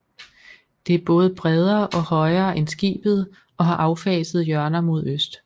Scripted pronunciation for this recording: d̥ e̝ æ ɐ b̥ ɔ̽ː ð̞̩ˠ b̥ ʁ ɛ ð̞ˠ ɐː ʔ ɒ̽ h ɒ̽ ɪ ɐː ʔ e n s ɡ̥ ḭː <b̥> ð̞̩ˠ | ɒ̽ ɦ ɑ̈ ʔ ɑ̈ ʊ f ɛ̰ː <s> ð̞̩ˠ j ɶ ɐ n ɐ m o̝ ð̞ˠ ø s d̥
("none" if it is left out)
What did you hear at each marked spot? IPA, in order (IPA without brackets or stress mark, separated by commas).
b̥, s